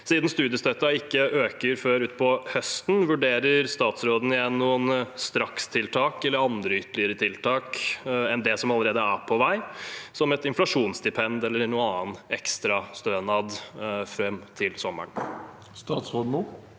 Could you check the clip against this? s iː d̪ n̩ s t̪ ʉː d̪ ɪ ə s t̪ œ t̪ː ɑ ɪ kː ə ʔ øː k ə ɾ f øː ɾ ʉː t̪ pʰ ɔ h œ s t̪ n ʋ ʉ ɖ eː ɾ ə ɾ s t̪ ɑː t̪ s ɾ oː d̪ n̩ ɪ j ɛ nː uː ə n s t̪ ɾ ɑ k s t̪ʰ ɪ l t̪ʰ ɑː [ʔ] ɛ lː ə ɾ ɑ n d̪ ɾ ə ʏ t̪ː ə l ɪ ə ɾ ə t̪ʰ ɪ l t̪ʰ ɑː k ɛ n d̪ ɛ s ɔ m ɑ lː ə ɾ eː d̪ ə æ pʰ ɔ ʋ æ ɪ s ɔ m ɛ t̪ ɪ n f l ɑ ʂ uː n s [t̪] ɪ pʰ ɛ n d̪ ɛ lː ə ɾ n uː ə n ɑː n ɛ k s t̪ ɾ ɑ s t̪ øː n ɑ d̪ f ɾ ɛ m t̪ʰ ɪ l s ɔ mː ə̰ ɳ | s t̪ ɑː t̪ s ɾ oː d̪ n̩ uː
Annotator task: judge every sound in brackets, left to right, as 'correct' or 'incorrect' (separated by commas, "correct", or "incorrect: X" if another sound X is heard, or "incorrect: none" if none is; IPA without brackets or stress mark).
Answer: incorrect: k, incorrect: d̪